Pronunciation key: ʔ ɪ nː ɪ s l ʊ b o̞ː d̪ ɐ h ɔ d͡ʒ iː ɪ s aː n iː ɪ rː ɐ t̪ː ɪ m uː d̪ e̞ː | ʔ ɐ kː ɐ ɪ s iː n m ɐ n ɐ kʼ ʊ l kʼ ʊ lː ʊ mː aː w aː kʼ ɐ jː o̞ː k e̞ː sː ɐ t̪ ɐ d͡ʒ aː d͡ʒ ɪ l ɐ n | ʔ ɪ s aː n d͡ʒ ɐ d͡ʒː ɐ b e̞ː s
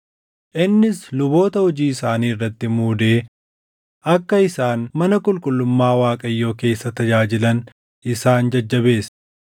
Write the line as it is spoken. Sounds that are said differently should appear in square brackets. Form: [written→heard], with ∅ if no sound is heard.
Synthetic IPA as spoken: ʔ ɪ nː ɪ s l ʊ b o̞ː [d̪→t̪] ɐ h ɔ d͡ʒ iː ɪ s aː n iː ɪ rː ɐ t̪ː ɪ m uː d̪ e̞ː | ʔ ɐ kː ɐ ɪ s [iː→aː] n m ɐ n ɐ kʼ ʊ l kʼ ʊ lː ʊ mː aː w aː kʼ ɐ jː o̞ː k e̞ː sː ɐ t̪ ɐ d͡ʒ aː d͡ʒ ɪ l ɐ n | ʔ ɪ s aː n d͡ʒ ɐ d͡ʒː ɐ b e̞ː s